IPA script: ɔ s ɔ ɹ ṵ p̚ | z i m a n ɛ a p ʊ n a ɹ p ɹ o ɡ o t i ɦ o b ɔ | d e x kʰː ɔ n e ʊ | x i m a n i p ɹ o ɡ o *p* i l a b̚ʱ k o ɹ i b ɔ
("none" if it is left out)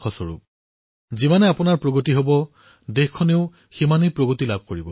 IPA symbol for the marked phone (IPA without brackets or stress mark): t